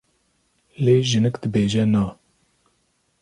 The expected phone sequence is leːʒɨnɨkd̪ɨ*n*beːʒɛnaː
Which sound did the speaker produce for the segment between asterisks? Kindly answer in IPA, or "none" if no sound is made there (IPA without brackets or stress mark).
none